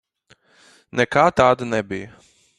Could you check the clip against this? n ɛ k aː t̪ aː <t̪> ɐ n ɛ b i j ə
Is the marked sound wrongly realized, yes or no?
yes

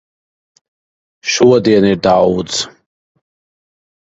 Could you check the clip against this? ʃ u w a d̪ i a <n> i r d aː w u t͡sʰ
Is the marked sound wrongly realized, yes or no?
no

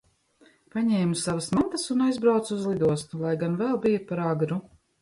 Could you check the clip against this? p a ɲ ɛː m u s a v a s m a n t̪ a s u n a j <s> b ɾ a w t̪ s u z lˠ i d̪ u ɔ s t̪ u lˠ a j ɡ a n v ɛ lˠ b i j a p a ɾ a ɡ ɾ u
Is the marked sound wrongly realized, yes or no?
yes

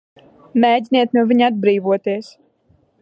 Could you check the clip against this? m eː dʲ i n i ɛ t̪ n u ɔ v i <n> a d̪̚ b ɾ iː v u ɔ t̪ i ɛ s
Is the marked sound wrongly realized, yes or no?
yes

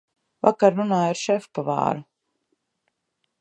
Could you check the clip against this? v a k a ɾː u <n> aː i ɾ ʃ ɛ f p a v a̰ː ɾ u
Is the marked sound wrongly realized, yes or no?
no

